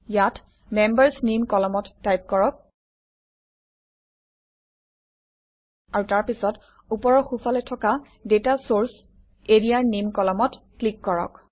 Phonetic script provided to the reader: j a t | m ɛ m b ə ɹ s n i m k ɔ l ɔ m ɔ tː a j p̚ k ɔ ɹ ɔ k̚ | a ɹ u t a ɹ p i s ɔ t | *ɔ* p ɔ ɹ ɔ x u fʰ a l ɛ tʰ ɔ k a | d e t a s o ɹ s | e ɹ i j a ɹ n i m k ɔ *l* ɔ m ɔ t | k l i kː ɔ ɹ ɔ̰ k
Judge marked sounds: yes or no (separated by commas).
no, yes